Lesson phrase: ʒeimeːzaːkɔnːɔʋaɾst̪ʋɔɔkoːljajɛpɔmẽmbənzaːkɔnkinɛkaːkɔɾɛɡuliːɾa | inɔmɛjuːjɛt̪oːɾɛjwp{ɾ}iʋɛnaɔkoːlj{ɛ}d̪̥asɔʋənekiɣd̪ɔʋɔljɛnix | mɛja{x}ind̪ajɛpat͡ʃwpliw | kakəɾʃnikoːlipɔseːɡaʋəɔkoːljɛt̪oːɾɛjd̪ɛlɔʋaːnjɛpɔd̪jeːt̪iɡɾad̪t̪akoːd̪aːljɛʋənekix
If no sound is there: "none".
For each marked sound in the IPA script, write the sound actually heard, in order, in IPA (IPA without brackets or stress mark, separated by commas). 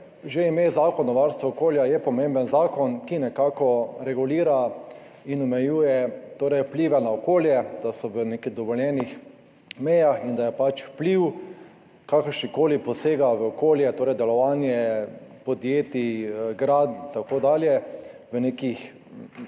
l, ɛ, x